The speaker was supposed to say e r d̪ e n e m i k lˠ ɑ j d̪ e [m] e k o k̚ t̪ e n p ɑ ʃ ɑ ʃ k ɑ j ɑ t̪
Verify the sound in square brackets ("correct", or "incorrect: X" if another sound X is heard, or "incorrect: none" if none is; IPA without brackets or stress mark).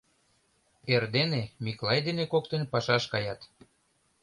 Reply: incorrect: n